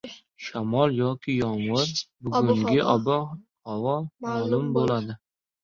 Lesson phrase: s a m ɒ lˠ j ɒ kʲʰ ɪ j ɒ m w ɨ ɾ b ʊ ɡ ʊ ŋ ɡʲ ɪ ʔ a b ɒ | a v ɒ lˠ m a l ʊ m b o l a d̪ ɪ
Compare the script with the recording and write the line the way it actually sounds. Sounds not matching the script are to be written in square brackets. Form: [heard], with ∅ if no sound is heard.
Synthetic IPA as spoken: [ʃ] a m ɒ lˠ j ɒ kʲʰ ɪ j ɒ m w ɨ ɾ b ʊ ɡ ʊ ŋ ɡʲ ɪ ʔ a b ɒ | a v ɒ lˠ m a l ʊ m b o l a d̪ ɪ